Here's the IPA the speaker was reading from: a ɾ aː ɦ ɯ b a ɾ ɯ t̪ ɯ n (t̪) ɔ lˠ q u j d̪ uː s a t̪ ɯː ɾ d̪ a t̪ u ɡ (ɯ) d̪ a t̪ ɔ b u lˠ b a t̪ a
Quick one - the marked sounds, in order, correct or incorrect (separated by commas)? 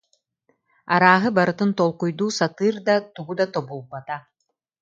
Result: correct, incorrect